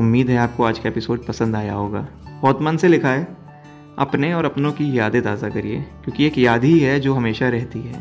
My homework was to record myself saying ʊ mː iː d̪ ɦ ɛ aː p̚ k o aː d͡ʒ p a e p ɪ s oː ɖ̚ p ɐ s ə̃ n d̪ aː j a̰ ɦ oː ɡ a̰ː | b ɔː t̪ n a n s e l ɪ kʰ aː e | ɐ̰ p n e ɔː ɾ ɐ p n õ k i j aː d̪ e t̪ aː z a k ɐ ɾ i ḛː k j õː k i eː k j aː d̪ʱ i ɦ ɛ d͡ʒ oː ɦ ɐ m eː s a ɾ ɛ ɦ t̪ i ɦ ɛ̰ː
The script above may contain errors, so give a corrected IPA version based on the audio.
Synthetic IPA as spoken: ʊ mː iː d̪ ɦ ɛ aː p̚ k o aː d͡ʒ k a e p ɪ s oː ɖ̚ p ɐ s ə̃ n d̪ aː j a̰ ɦ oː ɡ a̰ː | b ɔː t̪ m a n s e l ɪ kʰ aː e | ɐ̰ p n e ɔː ɾ ɐ p n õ k i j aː d̪ e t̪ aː z a k ɐ ɾ i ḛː k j õː k i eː k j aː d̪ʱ i ɦ ɛ d͡ʒ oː ɦ ɐ m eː ʃ a ɾ ɛ ɦ t̪ i ɦ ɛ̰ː